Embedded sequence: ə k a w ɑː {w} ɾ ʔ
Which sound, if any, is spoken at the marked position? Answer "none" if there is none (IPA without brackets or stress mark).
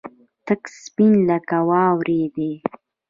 w